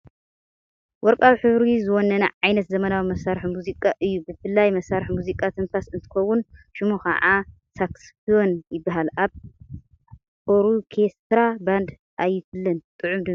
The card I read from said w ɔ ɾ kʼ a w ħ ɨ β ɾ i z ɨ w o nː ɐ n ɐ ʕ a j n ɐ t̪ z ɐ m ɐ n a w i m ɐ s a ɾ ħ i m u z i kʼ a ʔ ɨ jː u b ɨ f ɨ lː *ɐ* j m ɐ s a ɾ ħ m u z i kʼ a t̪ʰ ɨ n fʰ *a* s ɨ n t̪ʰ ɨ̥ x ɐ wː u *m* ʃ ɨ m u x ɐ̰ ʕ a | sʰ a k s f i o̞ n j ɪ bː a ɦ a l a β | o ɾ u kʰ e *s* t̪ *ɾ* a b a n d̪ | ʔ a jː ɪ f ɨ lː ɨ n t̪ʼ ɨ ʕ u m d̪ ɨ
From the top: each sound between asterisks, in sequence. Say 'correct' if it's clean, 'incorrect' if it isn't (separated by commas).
incorrect, correct, incorrect, correct, correct